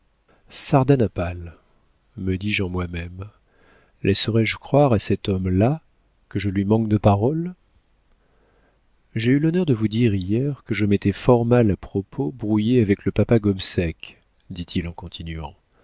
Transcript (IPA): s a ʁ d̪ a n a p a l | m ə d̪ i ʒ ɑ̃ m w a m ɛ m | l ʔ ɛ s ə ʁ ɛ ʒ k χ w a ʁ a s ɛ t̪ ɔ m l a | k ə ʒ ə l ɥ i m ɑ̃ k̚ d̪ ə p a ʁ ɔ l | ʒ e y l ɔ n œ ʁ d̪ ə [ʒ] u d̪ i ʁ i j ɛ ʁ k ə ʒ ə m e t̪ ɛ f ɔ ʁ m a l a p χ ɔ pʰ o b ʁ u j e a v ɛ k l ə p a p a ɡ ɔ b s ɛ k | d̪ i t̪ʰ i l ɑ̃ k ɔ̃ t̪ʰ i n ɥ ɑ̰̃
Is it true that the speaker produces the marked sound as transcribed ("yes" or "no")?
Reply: no